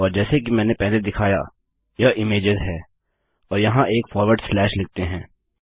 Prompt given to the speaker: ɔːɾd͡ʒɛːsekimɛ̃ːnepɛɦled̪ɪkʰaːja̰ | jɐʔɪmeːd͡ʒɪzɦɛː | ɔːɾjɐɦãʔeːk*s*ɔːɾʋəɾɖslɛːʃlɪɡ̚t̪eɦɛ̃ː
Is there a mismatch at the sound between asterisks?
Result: yes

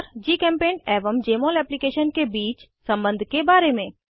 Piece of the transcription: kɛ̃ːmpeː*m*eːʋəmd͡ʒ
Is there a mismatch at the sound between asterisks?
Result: yes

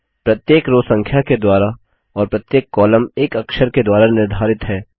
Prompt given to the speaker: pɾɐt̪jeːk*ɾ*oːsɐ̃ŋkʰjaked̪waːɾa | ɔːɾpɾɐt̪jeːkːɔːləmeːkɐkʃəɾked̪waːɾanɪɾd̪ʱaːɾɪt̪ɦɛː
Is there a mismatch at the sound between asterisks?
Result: no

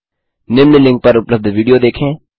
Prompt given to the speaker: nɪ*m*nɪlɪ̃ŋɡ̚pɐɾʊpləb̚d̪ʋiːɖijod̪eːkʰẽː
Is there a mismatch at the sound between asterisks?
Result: no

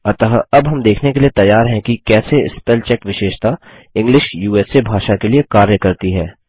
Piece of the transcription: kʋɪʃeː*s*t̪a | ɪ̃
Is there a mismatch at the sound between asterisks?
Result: yes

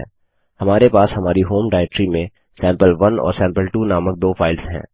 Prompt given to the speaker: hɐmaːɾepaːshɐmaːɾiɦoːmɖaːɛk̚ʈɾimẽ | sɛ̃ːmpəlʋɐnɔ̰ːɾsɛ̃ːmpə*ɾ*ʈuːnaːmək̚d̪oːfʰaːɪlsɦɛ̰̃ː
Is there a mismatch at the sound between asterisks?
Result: yes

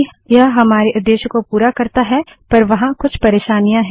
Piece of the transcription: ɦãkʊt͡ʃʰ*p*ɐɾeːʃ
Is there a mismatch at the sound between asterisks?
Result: no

